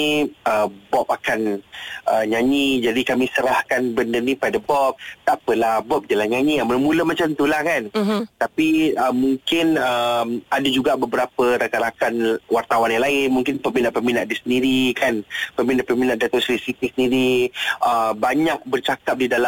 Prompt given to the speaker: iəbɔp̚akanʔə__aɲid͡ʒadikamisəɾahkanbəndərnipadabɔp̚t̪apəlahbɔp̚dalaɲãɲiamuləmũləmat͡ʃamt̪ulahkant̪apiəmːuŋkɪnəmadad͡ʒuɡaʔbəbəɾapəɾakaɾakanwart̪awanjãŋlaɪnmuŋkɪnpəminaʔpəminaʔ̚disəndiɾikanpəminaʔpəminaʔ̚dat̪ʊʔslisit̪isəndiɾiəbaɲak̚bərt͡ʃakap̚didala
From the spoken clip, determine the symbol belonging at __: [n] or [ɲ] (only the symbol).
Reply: ɲ